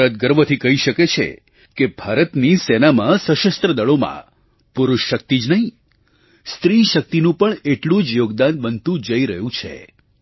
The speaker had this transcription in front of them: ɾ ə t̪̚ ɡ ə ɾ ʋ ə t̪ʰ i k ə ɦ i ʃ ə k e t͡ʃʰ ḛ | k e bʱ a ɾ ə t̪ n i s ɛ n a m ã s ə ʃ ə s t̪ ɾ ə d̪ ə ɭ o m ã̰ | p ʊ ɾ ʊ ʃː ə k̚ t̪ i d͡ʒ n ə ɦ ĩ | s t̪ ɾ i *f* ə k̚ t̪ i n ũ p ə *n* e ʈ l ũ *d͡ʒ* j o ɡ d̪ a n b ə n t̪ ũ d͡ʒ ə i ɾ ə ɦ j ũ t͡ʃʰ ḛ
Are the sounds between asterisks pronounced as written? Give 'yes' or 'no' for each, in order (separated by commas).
no, no, yes